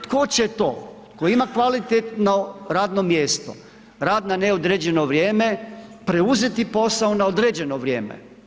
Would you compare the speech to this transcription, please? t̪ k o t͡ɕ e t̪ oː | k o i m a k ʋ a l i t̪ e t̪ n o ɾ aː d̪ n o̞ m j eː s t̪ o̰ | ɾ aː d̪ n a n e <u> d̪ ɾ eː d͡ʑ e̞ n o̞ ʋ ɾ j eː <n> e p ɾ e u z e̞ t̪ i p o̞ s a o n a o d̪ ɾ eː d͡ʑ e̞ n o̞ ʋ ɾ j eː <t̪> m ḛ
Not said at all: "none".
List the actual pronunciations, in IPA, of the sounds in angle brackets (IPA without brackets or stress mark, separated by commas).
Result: o, m, none